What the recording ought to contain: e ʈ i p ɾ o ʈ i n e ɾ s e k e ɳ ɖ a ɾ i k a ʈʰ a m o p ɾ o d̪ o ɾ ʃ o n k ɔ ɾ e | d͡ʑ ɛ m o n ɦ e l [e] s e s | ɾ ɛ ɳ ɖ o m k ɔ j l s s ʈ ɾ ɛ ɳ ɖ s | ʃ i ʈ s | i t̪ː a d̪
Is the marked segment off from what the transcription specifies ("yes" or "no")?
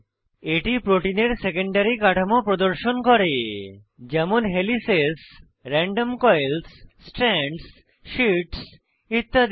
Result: yes